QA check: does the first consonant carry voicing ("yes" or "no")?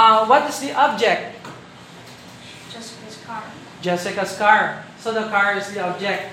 yes